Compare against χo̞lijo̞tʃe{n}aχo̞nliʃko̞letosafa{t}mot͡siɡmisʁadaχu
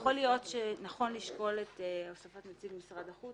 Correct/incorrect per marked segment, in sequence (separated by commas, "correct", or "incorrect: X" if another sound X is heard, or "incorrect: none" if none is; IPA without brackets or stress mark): correct, correct